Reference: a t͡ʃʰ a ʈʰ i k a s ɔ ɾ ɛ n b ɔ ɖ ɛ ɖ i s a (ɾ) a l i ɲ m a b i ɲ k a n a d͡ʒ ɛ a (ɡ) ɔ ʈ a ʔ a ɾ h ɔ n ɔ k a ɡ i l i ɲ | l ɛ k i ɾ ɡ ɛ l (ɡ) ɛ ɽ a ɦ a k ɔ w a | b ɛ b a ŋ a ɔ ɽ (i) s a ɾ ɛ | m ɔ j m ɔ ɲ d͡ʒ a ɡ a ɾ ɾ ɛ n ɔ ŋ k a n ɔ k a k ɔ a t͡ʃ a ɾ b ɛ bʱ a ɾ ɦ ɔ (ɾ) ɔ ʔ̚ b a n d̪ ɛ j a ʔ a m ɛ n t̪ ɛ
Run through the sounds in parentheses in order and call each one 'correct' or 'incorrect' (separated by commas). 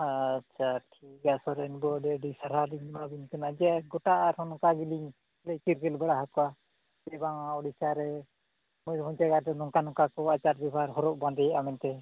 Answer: correct, correct, incorrect, correct, correct